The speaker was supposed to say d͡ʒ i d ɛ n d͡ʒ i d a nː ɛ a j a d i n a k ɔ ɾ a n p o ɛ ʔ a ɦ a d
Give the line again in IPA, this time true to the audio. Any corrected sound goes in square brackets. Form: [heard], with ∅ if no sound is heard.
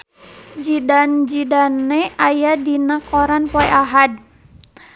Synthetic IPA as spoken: d͡ʒ i d [a] n d͡ʒ i d a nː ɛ a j a d i n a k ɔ ɾ a n p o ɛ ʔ a ɦ a d

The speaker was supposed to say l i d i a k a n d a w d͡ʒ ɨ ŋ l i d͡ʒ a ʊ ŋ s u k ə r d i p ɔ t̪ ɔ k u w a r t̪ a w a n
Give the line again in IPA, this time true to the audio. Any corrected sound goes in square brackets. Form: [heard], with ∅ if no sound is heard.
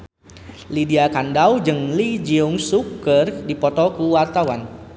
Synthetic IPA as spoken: l i d i a k a n d a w d͡ʒ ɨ ŋ l i d͡ʒ [i] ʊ ŋ s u k ə r d i p ɔ t̪ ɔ k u w a r t̪ a w a n

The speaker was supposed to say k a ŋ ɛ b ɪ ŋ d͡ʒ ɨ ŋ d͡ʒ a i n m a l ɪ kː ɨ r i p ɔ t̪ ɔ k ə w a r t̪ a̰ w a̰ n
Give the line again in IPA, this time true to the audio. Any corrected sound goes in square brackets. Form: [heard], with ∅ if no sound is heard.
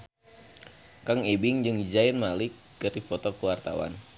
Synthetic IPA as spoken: k a ŋ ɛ b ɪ ŋ d͡ʒ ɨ ŋ d͡ʒ a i n m a l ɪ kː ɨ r i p ɔ t̪ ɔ k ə w a r t̪ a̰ w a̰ n

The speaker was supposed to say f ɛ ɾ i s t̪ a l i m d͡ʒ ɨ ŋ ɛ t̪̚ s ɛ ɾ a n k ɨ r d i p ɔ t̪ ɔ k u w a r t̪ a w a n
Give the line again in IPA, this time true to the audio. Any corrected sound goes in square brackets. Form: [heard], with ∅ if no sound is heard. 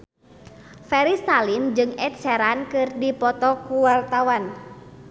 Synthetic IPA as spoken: f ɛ ɾ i s t̪ a l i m d͡ʒ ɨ ŋ ɛ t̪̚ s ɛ ɾ a n k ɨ r d i p ɔ t̪ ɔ k u w a r t̪ a w a n

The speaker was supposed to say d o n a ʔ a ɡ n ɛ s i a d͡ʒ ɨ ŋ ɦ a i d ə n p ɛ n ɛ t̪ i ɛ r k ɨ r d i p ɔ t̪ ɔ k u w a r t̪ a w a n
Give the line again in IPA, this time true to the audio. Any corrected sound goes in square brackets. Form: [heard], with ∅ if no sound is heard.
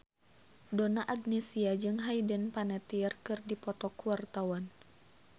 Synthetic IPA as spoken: d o n a ʔ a ɡ n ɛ s i a d͡ʒ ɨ ŋ ɦ a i d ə n p [a] n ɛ t̪ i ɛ r k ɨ r d i p ɔ t̪ ɔ k u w a r t̪ a w a n

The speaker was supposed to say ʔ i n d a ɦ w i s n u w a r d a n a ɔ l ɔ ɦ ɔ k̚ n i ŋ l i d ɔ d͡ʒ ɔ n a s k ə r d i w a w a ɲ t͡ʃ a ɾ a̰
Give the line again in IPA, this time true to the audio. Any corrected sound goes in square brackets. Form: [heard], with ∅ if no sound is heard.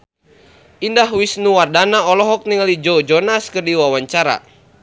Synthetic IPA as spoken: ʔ i n d a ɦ w i s n u w a r d a n a ɔ l ɔ ɦ ɔ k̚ n i ŋ l i [d͡ʒ] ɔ d͡ʒ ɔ n a s k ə r d i w a w a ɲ t͡ʃ a ɾ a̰

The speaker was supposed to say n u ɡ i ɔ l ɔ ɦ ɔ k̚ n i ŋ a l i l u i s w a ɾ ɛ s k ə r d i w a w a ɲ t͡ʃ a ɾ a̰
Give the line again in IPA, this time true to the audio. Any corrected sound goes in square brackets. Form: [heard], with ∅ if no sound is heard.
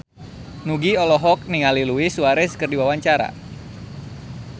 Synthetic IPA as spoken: n u ɡ i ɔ l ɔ ɦ ɔ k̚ n i ŋ a l i l u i s [u] a ɾ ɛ s k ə r d i w a w a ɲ t͡ʃ a ɾ a̰

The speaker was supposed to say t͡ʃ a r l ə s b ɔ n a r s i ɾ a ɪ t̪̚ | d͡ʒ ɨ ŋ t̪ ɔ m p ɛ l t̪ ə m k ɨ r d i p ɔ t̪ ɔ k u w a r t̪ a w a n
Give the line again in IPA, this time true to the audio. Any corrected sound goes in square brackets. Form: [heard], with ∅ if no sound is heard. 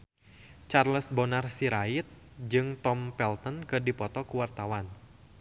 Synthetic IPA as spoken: t͡ʃ a r l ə s b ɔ n a r s i ɾ a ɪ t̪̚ | d͡ʒ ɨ ŋ t̪ ɔ m p ɛ l t̪ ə [n] k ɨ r d i p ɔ t̪ ɔ k u w a r t̪ a w a n

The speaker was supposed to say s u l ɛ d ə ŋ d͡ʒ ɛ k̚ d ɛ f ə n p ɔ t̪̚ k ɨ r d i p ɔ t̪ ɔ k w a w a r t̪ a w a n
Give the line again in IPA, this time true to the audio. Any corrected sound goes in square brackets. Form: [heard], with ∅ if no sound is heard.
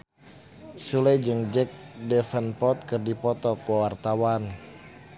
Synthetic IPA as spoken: s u l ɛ [d͡ʒ] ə ŋ d͡ʒ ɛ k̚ d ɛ f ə n p ɔ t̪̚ k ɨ r d i p ɔ t̪ ɔ k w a w a r t̪ a w a n

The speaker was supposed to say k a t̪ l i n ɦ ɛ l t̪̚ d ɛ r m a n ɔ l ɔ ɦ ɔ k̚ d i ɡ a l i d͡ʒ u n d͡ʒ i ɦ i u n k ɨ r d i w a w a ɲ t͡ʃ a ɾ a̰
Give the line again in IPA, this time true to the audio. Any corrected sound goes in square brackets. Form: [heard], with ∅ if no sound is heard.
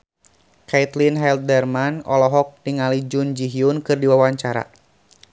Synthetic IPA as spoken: k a t̪ l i n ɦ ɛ l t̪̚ d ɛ r m a n ɔ l ɔ ɦ ɔ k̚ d i [ŋ] a l i d͡ʒ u n d͡ʒ i ɦ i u n k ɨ r d i w a w a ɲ t͡ʃ a ɾ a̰

